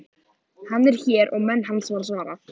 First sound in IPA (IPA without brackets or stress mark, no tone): h